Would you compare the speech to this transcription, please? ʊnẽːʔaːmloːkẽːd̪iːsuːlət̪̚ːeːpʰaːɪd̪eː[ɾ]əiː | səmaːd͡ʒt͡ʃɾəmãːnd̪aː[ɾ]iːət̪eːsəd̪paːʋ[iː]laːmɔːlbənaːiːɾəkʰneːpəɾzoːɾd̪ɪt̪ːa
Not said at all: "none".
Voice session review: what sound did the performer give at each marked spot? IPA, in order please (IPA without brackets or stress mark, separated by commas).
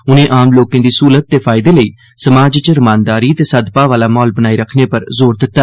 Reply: l, ɾ, aː